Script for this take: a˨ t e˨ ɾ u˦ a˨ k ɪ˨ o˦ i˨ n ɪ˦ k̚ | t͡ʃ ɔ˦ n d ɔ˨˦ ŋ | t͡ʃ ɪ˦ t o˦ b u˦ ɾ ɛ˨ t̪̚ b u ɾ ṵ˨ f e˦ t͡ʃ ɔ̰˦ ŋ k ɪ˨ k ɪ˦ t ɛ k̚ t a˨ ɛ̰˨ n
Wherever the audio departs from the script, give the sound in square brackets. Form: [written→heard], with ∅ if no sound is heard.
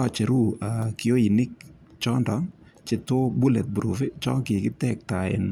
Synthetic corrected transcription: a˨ [t→t͡ʃ] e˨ ɾ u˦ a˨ k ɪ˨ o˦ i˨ n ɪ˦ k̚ | t͡ʃ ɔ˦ n d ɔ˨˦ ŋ | t͡ʃ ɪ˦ t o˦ b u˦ [ɾ→l] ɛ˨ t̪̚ b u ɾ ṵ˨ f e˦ t͡ʃ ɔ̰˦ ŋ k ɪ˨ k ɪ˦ t ɛ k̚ t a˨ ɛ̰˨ n